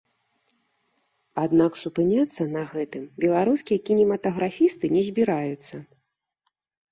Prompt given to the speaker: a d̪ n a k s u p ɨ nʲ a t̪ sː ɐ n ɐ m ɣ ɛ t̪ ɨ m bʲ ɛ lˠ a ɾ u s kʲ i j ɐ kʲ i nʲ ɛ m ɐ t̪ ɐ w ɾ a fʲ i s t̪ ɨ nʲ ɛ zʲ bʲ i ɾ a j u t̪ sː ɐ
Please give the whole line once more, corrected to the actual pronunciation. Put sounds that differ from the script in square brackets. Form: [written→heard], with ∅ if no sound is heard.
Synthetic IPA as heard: a d̪ n a k s u p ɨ nʲ a t̪ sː ɐ n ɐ [m→∅] ɣ ɛ t̪ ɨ m bʲ ɛ lˠ a ɾ u s kʲ i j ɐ kʲ i nʲ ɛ m ɐ t̪ ɐ [w→ɣ] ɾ a fʲ i s t̪ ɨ nʲ ɛ zʲ bʲ i ɾ a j u t̪ sː ɐ